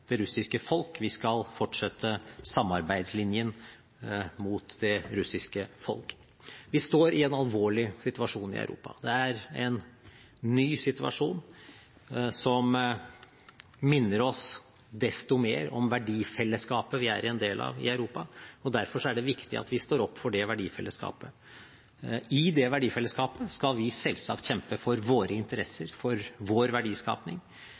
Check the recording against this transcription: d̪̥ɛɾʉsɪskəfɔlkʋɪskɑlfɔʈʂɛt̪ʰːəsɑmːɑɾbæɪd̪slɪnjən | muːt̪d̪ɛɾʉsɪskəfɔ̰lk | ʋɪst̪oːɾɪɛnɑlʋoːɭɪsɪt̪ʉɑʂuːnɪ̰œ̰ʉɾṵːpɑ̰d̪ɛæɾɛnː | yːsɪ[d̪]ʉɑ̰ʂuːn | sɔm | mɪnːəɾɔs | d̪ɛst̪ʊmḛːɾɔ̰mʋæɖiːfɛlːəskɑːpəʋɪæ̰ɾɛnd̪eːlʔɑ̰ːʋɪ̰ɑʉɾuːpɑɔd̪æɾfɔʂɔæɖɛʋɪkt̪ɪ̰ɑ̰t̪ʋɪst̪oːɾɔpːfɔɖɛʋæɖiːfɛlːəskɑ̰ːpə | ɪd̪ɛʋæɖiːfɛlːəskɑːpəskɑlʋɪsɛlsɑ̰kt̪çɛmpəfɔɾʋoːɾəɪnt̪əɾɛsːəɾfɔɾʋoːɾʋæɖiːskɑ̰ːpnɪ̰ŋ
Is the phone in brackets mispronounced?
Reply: yes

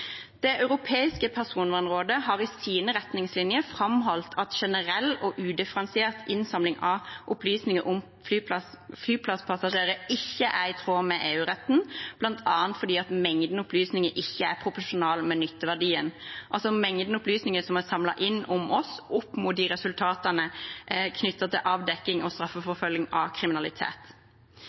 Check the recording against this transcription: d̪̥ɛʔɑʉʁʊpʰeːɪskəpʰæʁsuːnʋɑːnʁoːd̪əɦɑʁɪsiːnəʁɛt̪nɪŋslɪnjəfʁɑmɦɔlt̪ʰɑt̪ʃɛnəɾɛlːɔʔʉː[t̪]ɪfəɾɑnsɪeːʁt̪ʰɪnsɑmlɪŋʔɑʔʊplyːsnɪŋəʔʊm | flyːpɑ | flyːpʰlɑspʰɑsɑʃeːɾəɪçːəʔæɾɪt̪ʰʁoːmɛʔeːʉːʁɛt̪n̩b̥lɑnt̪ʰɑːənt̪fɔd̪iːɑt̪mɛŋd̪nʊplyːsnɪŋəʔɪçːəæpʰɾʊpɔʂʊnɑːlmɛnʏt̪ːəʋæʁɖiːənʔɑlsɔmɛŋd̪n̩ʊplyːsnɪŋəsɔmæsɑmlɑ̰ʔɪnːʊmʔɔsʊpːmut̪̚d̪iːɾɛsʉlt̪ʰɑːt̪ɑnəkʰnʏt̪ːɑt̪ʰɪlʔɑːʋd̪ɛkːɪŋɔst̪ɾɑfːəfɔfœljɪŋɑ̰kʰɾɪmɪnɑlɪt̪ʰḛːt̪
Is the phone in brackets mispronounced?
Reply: yes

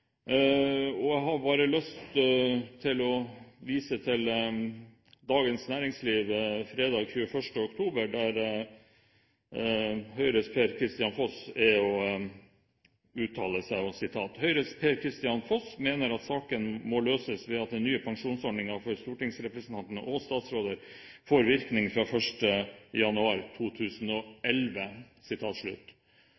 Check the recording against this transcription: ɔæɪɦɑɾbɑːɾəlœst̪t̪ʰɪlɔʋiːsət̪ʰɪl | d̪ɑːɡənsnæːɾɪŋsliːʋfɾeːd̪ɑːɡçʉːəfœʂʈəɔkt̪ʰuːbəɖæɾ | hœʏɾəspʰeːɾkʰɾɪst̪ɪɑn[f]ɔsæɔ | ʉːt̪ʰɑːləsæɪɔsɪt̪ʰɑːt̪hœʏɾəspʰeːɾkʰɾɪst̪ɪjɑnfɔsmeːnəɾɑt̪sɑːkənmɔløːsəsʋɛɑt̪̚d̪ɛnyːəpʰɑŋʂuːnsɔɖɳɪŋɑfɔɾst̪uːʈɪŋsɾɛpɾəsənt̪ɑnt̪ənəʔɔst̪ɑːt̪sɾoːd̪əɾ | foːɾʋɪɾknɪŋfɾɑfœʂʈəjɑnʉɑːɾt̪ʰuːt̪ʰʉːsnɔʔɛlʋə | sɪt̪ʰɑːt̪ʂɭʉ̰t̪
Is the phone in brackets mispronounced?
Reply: no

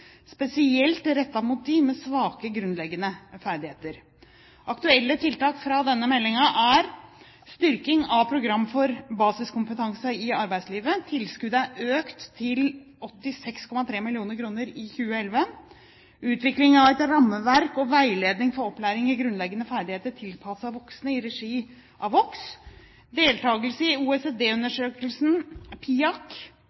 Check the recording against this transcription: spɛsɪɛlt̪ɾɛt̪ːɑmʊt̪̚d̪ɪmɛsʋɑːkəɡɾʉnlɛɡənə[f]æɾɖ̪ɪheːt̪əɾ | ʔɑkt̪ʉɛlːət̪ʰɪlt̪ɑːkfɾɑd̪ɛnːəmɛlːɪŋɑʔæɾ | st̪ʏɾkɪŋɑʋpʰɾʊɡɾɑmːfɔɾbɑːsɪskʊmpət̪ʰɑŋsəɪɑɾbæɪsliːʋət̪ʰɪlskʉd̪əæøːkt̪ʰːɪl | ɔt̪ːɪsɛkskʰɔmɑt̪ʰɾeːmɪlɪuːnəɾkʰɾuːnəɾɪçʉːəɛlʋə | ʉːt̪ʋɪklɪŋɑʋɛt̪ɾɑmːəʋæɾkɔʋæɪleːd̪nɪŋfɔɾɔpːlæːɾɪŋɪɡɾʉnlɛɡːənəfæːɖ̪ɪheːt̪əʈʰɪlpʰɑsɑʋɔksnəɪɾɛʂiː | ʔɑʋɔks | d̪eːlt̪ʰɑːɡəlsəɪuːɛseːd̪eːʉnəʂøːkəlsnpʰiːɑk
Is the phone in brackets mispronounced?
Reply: no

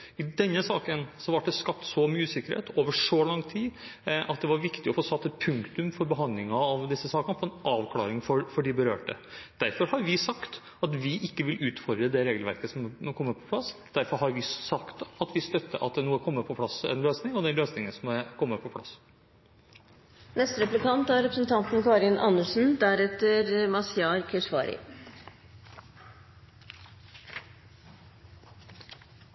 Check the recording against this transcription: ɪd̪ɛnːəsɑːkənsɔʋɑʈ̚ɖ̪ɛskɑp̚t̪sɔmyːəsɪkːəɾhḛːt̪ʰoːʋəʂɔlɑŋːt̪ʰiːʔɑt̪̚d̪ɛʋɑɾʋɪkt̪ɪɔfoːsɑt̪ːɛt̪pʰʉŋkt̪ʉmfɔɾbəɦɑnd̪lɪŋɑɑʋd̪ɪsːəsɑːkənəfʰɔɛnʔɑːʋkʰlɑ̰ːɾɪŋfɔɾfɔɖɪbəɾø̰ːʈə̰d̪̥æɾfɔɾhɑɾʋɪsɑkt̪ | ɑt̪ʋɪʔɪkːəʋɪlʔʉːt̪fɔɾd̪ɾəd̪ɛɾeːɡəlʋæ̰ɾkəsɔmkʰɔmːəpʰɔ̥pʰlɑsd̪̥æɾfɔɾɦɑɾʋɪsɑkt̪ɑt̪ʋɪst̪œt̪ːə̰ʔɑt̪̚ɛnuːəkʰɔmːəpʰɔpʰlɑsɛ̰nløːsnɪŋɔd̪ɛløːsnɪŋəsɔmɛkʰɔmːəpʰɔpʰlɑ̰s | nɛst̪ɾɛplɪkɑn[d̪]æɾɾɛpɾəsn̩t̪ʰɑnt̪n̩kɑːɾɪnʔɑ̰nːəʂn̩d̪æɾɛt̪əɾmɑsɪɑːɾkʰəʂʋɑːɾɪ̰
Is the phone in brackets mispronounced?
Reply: yes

